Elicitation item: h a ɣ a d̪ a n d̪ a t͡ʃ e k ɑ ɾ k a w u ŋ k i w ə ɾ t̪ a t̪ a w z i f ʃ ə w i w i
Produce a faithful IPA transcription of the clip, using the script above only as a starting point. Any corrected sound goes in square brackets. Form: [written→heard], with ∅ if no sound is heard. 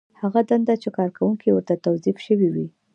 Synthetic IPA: h a ɣ a d̪ a n d̪ a t͡ʃ e k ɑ ɾ k a w u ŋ k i w ə ɾ t̪ a t̪ a w z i f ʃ ə w i w i